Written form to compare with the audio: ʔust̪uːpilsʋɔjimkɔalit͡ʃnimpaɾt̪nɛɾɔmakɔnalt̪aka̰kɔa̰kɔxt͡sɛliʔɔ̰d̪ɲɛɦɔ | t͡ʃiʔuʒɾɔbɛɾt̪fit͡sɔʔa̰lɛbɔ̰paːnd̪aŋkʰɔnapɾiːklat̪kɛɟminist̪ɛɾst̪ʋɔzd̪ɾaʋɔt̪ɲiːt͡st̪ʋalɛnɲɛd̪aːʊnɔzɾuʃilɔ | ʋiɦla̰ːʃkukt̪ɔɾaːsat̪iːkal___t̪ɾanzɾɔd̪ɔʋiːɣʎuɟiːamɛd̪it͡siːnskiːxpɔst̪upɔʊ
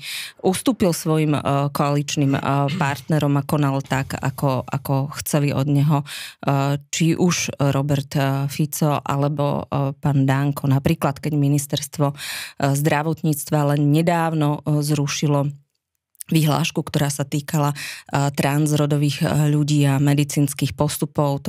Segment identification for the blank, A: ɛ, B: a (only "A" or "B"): B